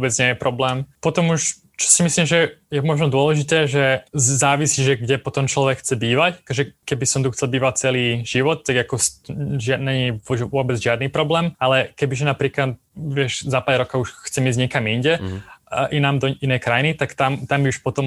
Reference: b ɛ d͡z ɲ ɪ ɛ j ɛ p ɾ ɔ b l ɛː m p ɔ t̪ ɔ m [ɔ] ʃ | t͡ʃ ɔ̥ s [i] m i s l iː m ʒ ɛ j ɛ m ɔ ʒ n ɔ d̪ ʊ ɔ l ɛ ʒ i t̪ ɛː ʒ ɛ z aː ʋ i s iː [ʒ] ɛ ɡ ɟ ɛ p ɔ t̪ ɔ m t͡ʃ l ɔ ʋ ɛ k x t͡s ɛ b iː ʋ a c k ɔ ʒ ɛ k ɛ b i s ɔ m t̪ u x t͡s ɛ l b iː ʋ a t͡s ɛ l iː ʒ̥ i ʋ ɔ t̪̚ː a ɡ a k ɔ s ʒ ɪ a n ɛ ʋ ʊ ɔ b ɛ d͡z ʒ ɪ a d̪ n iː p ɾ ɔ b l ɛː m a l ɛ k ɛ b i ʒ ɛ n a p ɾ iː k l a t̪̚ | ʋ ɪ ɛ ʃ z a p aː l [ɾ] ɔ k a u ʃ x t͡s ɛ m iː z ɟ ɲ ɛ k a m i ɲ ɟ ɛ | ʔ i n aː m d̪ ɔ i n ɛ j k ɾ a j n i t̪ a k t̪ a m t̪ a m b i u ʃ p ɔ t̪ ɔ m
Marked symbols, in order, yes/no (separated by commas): no, yes, yes, yes